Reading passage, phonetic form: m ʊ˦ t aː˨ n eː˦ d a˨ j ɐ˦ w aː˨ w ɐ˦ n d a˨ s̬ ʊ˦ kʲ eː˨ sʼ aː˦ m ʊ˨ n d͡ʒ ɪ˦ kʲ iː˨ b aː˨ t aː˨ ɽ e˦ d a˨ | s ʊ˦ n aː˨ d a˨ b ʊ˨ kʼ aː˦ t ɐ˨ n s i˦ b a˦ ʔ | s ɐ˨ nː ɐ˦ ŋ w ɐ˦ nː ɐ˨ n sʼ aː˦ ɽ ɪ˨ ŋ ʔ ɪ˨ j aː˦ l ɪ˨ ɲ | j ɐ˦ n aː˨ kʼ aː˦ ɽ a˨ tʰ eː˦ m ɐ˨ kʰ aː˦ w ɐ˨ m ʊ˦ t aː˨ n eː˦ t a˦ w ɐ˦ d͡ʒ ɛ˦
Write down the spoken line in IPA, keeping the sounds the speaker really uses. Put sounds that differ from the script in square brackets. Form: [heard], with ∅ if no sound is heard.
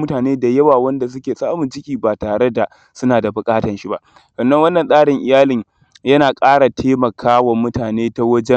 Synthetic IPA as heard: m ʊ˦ t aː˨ n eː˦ d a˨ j ɐ˦ w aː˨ w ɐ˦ n d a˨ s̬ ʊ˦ kʲ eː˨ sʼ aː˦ m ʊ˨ n d͡ʒ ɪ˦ kʲ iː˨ b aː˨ t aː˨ ɽ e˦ d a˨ | s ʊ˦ n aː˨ d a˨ b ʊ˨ kʼ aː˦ t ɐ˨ n [ʃ] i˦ b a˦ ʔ | s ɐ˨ nː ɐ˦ ŋ w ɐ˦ nː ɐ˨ n sʼ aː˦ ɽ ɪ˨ ŋ ʔ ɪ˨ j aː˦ l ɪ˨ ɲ | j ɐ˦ n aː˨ kʼ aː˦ ɽ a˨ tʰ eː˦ m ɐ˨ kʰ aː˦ w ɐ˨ m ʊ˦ t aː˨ n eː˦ t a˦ w ɐ˦ d͡ʒ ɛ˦